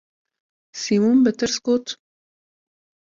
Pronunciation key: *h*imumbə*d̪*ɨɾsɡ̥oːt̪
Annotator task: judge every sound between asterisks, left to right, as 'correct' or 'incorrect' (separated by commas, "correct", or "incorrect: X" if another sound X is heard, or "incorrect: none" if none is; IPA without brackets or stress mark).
incorrect: s, incorrect: t̪